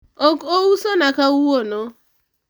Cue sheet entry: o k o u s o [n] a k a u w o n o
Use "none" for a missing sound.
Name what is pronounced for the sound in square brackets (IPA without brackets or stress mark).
n